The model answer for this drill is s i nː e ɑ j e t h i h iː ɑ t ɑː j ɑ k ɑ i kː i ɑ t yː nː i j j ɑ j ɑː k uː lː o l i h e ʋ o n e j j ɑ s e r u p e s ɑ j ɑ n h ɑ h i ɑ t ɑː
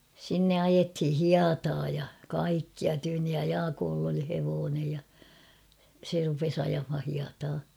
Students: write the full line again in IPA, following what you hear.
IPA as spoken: s i nː e ɑ j e t h i h i ɑ t ɑː j ɑ k ɑ i kː i ɑ t yː nː i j j ɑ j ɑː k oː lː o l i h e ʋ oː n e j j ɑ s e r u p e s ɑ j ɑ m h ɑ h i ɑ t ɑː